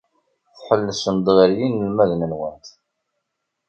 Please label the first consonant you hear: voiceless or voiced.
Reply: voiceless